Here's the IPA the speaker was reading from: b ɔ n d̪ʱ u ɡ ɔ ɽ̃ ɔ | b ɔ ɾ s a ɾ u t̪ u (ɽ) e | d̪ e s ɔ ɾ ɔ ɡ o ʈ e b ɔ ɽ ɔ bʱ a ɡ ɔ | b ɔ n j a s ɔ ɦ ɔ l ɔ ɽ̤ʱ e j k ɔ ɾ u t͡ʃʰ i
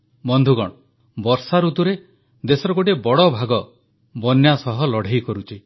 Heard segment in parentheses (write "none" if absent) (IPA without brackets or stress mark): ɾ